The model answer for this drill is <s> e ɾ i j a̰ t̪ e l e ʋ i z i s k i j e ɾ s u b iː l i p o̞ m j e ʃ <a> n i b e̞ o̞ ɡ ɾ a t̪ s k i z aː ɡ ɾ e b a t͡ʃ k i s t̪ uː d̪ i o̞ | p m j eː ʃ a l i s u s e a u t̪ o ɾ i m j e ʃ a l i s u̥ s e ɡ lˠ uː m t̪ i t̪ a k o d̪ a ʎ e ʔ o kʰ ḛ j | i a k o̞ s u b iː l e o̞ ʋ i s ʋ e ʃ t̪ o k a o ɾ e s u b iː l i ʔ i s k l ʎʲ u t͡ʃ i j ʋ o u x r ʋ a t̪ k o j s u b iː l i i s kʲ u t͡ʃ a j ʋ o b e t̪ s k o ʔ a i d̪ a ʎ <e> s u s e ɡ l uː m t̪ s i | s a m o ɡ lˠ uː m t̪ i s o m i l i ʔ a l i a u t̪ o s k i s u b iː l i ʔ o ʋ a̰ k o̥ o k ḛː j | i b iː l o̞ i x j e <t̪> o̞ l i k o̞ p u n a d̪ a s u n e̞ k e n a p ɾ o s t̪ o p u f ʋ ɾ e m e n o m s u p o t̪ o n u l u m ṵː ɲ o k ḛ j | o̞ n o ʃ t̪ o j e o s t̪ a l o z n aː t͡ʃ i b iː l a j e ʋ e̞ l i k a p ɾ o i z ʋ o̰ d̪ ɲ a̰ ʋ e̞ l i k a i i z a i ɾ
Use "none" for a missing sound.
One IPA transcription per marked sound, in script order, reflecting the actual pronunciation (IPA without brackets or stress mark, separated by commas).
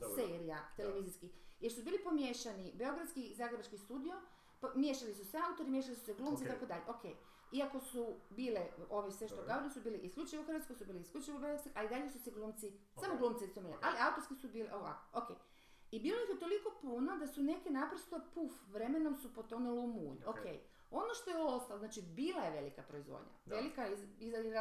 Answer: s, a, e, t̪